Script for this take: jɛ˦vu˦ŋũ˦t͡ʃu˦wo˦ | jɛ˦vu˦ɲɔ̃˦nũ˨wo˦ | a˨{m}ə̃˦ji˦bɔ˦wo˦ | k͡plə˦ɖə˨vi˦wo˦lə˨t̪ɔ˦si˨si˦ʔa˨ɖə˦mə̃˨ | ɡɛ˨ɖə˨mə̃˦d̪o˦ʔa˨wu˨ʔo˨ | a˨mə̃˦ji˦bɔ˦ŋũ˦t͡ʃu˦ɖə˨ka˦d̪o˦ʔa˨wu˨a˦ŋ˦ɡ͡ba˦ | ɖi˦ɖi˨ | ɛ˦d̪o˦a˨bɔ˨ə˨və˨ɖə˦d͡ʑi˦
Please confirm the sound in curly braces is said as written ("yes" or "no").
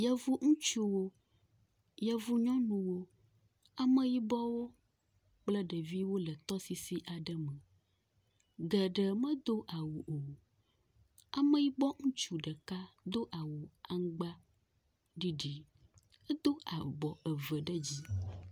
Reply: yes